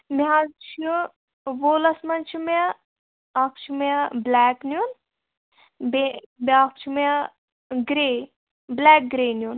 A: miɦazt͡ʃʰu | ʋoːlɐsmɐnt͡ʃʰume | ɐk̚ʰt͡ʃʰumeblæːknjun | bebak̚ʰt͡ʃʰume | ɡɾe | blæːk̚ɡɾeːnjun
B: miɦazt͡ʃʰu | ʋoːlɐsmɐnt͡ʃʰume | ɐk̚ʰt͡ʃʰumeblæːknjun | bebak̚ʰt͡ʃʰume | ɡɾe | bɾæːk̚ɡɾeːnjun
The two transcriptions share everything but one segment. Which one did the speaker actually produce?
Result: A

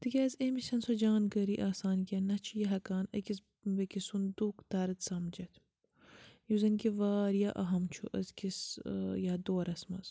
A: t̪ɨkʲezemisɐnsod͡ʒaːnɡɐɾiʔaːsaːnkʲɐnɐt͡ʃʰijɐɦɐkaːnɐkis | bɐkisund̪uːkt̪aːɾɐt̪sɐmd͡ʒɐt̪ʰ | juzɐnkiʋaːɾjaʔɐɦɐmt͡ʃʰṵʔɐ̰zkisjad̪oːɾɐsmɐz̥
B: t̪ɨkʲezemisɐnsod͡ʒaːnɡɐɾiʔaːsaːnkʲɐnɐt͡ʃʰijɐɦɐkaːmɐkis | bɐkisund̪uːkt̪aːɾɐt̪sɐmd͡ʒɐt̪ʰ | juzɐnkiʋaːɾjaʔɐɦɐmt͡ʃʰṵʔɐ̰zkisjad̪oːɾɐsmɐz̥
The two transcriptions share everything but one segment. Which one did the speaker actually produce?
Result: A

